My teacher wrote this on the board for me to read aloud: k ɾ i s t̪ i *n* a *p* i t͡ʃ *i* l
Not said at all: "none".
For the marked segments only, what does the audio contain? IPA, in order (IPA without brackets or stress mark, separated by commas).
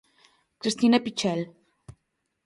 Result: n, p, ɛ